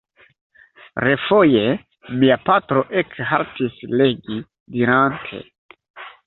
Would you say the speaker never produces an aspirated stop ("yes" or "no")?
no